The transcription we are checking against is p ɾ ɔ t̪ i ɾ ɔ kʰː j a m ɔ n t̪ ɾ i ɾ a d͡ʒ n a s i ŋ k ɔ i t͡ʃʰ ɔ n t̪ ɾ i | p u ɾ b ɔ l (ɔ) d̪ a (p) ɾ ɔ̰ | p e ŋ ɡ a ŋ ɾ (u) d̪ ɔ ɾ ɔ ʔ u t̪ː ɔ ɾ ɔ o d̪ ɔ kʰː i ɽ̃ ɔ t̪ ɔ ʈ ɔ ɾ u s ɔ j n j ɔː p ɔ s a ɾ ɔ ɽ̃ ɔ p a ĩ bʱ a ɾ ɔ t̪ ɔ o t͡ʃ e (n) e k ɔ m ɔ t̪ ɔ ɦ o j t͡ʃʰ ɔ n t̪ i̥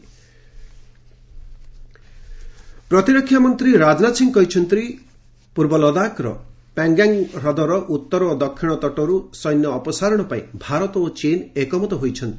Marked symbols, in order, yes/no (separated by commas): yes, no, no, yes